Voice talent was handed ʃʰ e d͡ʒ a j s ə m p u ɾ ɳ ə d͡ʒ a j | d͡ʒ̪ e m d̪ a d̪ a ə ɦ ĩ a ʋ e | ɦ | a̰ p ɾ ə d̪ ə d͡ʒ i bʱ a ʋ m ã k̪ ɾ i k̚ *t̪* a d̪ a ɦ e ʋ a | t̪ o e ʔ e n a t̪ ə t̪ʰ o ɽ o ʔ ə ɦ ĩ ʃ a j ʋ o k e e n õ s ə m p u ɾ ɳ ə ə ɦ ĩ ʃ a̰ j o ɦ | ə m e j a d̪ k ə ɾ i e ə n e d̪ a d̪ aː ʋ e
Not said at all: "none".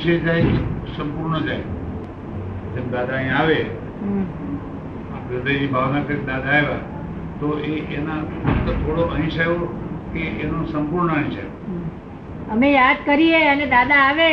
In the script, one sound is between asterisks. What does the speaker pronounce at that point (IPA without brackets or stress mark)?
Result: d̪